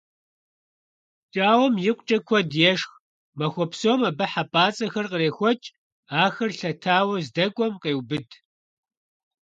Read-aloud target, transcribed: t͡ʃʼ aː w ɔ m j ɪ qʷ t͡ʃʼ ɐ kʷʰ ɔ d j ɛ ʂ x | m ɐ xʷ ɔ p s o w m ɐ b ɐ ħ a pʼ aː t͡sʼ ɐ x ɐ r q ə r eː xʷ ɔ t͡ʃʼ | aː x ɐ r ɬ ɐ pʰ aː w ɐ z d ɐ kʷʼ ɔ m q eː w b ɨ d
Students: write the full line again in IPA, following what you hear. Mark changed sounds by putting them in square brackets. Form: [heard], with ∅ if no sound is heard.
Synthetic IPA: t͡ʃʼ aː w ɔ m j ɪ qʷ t͡ʃʼ ɐ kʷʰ ɔ d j ɛ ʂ x | m ɐ xʷ ɔ p s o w m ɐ b ɐ ħ a pʼ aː t͡sʼ ɐ x ɐ r q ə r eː xʷ ɔ t͡ʃʼ | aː x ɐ r ɬ ɐ [tʰ] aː w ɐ z d ɐ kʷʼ ɔ m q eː w b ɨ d